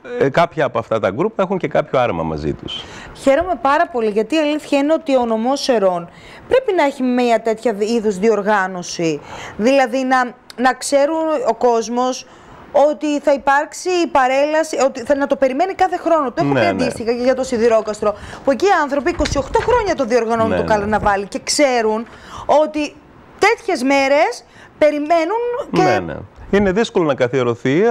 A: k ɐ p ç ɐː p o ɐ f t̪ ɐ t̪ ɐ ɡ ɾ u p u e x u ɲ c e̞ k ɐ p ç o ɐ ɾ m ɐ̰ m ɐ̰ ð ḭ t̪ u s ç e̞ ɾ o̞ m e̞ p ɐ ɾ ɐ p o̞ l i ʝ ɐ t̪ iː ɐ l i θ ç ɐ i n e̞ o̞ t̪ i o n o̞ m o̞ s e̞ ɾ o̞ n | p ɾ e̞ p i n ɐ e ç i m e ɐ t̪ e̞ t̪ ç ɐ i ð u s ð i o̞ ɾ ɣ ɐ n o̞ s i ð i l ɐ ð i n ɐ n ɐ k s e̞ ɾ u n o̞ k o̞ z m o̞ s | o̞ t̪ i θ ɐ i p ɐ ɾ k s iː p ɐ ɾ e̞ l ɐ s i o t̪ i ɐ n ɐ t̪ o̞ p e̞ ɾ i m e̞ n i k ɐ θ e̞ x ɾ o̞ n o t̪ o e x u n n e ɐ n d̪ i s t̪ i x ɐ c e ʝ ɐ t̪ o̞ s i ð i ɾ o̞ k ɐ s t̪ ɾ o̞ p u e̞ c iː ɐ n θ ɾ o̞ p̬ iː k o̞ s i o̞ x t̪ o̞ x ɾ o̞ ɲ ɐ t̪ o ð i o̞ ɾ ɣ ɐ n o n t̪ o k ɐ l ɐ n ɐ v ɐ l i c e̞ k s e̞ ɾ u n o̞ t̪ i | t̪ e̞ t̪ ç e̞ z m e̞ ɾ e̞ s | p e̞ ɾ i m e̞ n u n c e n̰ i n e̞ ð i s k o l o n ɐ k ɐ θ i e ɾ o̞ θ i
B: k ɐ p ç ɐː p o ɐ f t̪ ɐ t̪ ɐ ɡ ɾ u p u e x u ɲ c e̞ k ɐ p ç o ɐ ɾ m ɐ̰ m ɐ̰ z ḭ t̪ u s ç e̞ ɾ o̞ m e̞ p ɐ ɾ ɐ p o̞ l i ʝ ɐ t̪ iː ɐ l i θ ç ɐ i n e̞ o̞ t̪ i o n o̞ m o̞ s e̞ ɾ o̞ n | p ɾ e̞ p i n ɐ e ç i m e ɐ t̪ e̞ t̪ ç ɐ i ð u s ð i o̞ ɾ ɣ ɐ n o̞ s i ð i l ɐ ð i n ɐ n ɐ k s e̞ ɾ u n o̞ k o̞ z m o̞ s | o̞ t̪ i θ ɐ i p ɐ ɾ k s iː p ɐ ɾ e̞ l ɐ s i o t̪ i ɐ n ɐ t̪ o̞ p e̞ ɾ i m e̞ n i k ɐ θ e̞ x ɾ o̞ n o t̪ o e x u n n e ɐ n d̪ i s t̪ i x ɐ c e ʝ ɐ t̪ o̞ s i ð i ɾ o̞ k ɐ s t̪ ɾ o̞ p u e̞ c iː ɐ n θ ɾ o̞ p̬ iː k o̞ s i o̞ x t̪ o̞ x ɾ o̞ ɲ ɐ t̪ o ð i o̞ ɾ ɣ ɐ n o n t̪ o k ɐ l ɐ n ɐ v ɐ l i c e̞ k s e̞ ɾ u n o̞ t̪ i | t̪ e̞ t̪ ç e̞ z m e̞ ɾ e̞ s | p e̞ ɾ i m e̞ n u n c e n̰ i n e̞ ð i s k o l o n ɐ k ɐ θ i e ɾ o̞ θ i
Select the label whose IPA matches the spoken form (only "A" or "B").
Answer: B